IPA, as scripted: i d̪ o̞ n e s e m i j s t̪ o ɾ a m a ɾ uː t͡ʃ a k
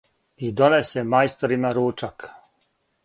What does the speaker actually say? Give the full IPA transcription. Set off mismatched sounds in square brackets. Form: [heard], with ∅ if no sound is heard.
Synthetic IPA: i d̪ o̞ n e s e m [a] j s t̪ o ɾ [i] m a ɾ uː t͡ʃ a k